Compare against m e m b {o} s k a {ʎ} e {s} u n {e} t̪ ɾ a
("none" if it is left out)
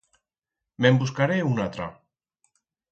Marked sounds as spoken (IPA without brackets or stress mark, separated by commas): u, ɾ, none, a